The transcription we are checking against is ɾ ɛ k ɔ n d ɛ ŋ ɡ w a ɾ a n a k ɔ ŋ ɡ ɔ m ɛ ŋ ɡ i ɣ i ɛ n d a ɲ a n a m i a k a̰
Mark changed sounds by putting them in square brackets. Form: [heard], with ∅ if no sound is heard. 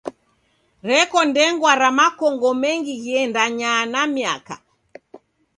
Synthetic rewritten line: ɾ ɛ k ɔ n d ɛ ŋ ɡ w a ɾ a [m] a k ɔ ŋ ɡ ɔ m ɛ ŋ ɡ i ɣ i ɛ n d a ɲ a n a m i a k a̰